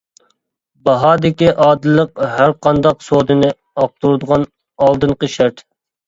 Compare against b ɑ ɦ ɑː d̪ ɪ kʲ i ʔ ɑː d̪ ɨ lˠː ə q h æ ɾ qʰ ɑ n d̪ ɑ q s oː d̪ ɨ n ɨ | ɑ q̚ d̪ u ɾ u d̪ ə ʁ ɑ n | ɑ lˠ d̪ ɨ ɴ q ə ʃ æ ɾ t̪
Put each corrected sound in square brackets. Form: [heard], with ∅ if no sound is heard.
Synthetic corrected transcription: b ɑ ɦ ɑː d̪ ɪ kʲ i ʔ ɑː d̪ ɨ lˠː ə q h æ ɾ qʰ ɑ n d̪ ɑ q s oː d̪ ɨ n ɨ | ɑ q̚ [t̪] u ɾ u d̪ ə ʁ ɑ n | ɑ lˠ d̪ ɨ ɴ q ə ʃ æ ɾ t̪